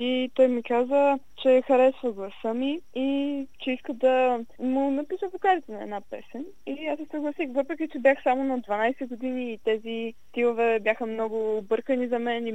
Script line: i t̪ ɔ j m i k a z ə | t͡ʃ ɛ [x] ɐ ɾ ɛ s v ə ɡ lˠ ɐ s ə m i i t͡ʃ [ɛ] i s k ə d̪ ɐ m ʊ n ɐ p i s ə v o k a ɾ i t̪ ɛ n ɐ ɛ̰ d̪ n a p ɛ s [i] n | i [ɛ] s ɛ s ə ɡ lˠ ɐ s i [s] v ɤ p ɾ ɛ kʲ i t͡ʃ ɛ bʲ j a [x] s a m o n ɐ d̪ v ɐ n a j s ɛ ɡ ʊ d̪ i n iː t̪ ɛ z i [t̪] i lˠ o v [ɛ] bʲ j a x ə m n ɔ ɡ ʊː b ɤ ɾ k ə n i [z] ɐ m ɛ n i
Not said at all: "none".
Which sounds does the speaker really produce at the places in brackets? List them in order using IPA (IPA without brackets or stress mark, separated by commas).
x, ɛ, ɛ, a, x, x, t̪, ɛ, z